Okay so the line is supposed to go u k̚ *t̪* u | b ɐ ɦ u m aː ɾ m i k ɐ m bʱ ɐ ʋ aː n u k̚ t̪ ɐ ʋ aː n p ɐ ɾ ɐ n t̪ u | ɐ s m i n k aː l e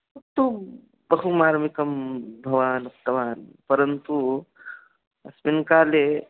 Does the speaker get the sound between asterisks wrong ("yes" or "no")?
no